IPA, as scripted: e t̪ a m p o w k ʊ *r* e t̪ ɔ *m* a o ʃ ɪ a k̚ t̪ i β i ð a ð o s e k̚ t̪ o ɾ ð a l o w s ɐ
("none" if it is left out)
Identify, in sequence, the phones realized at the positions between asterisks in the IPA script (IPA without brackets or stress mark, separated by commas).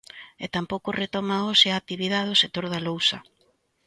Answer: r, m